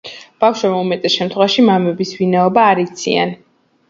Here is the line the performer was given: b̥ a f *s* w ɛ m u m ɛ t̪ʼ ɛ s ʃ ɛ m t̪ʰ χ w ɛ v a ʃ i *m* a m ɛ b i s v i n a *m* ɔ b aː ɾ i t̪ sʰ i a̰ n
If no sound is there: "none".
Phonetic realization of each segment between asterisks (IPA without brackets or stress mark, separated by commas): ʃ, m, none